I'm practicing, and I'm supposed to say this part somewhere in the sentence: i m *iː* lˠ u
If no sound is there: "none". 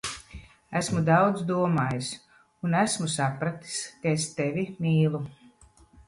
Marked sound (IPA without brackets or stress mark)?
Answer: iː